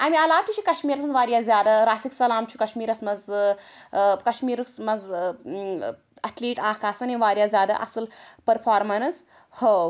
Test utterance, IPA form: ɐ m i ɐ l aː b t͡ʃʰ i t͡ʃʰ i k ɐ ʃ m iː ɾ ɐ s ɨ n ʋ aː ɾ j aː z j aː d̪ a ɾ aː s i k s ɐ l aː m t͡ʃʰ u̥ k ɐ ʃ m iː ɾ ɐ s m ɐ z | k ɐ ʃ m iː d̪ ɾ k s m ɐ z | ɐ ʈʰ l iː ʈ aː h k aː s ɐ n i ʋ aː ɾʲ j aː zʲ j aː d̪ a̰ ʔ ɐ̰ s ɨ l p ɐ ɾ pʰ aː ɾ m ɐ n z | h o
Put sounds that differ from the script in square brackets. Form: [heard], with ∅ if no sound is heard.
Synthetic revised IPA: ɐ m i ɐ l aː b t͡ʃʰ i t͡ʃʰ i k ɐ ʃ m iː ɾ ɐ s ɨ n ʋ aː ɾ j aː z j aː d̪ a ɾ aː s i k s ɐ l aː m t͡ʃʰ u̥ k ɐ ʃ m iː ɾ ɐ s m ɐ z | k ɐ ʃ m iː [∅] ɾ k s m ɐ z | ɐ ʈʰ l iː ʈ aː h k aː s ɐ n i ʋ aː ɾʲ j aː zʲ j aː d̪ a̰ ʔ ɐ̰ s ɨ l p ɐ ɾ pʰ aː ɾ m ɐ n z | h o